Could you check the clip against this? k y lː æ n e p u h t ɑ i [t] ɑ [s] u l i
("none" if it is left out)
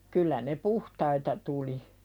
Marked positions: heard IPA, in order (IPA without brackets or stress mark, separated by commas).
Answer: t, t